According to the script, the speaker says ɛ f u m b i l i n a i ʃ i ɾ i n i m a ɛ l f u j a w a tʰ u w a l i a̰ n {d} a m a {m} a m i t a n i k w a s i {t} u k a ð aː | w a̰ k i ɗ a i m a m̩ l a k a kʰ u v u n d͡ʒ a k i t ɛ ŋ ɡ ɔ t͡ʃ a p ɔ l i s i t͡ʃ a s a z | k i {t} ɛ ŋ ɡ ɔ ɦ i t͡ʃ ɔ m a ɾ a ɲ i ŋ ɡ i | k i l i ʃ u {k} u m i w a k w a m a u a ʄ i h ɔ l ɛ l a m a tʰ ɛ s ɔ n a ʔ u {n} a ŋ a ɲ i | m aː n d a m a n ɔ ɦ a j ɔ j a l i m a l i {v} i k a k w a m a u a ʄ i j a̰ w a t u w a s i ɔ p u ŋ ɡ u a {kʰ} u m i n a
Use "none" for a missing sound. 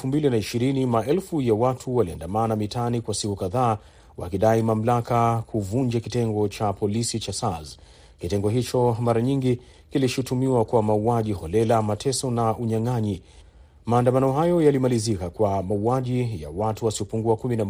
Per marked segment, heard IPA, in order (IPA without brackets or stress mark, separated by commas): d, n, k, t, t, ɲ, z, k